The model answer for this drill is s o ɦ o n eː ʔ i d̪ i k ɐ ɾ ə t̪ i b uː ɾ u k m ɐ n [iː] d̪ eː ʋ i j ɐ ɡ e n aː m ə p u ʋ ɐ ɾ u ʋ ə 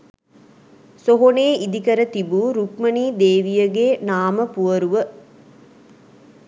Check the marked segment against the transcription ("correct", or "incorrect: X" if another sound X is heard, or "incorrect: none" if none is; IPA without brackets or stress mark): correct